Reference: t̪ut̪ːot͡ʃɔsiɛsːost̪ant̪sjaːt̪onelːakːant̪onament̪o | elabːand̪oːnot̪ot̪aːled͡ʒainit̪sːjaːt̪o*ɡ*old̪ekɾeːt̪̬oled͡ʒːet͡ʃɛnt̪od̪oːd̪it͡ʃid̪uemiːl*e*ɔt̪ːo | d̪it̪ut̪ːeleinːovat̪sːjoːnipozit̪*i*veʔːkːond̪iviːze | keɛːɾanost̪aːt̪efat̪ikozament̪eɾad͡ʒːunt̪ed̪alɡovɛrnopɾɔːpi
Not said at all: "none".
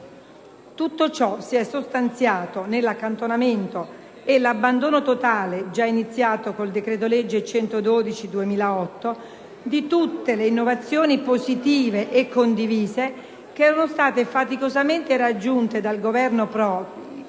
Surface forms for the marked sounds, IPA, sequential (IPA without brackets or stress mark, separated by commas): k, a, iː